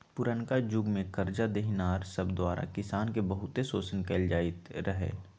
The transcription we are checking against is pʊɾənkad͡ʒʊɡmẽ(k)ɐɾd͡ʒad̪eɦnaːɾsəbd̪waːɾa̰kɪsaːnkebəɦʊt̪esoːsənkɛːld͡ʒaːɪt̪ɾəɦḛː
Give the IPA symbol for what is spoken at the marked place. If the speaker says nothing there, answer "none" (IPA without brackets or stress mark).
k